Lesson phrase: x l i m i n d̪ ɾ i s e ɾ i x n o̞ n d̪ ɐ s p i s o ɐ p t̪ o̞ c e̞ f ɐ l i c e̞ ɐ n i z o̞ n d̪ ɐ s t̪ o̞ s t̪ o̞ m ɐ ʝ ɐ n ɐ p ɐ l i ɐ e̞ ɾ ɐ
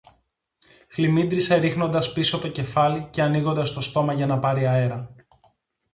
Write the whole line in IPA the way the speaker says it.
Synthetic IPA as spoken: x l i m i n d̪ ɾ i s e ɾ i x n o̞ n d̪ ɐ s p i s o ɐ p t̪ o̞ c e̞ f ɐ l i c e̞ ɐ n i ɣ o̞ n d̪ ɐ s t̪ o̞ s t̪ o̞ m ɐ ʝ ɐ n ɐ p ɐ ɾ i ɐ e̞ ɾ ɐ